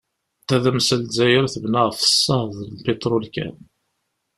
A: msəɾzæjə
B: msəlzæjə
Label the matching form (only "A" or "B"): B